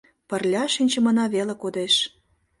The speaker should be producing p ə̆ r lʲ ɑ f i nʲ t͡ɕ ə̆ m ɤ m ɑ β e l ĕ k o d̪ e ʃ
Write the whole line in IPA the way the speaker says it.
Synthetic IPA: p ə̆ r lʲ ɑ ʃ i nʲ t͡ɕ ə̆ m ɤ n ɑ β e l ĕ k o d̪ e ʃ